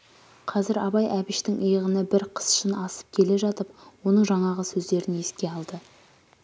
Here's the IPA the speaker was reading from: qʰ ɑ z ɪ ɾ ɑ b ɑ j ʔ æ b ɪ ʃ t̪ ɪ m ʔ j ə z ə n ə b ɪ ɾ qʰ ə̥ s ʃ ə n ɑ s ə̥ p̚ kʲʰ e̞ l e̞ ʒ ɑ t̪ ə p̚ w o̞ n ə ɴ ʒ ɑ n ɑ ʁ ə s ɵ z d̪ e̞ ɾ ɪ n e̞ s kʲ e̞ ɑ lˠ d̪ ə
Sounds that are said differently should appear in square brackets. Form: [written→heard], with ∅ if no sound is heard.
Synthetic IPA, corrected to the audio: qʰ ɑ z ɪ ɾ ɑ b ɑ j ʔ æ b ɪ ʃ t̪ ɪ [m→ŋ] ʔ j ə [z→ʁ] ə n ə b ɪ ɾ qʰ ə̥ s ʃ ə n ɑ s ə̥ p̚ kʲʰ e̞ l e̞ ʒ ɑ t̪ ə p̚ w o̞ n ə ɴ ʒ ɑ [n→ɴ] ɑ ʁ ə s ɵ z d̪ e̞ ɾ ɪ n e̞ s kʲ e̞ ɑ lˠ d̪ ə

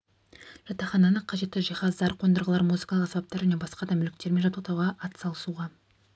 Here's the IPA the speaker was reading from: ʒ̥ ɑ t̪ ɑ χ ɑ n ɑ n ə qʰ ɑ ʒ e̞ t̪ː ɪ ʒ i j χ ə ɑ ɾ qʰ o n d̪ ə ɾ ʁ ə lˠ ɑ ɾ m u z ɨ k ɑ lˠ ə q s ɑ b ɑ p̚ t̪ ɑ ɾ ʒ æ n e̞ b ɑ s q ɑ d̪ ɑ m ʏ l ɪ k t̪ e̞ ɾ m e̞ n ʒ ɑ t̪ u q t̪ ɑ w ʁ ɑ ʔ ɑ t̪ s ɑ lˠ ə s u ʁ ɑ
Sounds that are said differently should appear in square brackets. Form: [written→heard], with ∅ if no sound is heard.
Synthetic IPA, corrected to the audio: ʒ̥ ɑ t̪ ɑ χ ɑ n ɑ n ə qʰ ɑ ʒ e̞ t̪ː ɪ ʒ i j χ [ə→ɑ] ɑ ɾ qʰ o n d̪ ə ɾ ʁ ə lˠ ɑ ɾ m u z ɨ k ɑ lˠ ə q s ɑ b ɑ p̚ t̪ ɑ ɾ ʒ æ n e̞ b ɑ s q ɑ d̪ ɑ m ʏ l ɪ k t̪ e̞ ɾ m e̞ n ʒ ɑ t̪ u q t̪ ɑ w ʁ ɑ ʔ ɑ t̪ s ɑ lˠ ə s u ʁ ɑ

